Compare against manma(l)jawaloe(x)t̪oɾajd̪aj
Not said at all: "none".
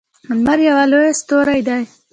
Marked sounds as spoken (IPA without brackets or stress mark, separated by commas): ɾ, s